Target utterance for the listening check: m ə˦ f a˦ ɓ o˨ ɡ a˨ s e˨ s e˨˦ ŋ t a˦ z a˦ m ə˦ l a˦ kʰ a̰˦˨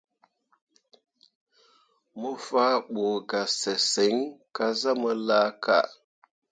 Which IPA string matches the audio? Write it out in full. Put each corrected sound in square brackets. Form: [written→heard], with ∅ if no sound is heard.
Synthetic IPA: m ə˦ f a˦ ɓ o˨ ɡ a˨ s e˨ s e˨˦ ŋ [t→k] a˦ z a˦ m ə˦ l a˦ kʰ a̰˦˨